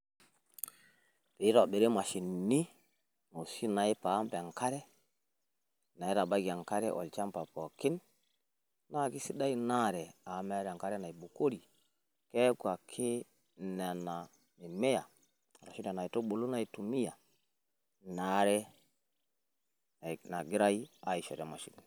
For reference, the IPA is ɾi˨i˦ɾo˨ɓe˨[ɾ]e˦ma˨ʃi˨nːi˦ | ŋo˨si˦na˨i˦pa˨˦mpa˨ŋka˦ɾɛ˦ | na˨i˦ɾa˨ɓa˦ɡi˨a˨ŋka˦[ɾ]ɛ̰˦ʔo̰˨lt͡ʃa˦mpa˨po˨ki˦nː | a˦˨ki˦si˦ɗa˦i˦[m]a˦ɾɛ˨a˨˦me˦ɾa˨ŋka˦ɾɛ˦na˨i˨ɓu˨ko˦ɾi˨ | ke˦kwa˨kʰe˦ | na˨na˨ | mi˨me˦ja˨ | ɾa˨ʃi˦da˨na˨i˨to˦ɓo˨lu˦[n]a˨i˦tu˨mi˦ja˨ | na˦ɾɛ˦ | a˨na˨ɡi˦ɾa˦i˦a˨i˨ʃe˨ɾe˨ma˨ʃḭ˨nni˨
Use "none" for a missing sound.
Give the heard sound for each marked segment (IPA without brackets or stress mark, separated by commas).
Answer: ɾ, ɾ, n, n